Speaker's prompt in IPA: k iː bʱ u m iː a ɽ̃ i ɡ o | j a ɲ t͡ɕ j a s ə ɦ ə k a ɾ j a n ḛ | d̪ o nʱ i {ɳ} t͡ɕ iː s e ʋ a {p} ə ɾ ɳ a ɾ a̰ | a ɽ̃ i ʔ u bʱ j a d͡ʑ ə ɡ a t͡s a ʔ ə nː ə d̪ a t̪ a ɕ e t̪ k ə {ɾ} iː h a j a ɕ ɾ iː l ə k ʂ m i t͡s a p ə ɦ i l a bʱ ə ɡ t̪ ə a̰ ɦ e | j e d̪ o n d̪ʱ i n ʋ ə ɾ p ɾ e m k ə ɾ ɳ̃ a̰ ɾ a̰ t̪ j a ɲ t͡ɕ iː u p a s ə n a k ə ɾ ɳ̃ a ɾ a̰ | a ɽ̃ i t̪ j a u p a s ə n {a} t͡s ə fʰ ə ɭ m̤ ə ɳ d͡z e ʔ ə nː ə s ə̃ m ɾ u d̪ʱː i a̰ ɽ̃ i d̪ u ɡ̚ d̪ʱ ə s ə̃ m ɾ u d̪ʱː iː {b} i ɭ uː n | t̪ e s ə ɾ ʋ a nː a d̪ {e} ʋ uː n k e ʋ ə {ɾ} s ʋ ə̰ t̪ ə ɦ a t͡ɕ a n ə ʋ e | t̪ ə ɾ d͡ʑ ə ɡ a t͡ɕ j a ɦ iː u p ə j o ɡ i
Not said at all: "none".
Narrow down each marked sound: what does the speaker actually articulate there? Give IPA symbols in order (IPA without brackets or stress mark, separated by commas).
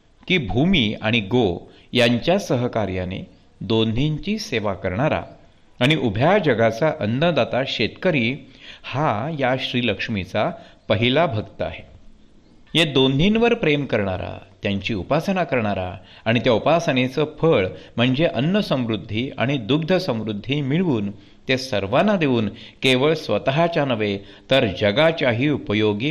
ɲ, k, ɾ, e, m, e, ɭ